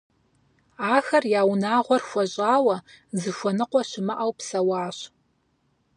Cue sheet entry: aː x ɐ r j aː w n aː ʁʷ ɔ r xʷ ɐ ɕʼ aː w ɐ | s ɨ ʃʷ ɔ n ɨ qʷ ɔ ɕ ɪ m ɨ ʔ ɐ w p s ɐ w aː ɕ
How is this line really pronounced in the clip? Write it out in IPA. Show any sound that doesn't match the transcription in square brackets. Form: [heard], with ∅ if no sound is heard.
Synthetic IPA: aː x ɐ r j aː w n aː ʁʷ ɔ r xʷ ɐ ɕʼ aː w ɐ | [z] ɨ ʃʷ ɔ n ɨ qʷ ɔ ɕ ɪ m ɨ ʔ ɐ w p s ɐ w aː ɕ